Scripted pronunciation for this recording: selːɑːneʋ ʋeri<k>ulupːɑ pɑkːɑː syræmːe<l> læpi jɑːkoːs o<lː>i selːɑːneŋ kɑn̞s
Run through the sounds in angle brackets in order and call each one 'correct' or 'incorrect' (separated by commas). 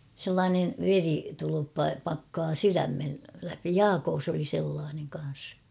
incorrect, correct, incorrect